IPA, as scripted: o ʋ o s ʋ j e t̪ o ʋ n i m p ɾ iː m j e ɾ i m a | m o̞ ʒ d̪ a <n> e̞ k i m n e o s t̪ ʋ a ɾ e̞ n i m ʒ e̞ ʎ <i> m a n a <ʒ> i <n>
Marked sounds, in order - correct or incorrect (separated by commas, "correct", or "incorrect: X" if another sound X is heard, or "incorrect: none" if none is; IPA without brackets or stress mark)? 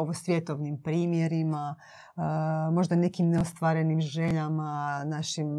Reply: correct, incorrect: a, incorrect: ʃ, incorrect: m